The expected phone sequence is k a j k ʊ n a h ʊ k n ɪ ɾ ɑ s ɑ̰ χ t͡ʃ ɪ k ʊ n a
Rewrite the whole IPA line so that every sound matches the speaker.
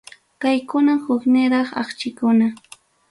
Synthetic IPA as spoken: k a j k ʊ n a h ʊ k n ɪ ɾ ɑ χ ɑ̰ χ t͡ʃ ɪ k ʊ n a